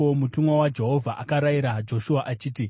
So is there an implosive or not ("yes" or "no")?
no